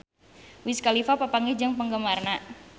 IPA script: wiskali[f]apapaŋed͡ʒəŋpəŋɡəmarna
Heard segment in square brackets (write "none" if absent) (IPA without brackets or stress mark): f